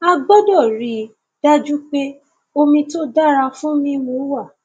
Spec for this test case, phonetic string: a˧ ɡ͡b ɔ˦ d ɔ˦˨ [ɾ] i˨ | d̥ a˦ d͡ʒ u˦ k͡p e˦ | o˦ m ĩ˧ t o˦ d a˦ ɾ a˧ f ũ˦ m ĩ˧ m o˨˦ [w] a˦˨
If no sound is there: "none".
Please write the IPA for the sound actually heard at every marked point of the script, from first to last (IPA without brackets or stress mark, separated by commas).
ɾ, w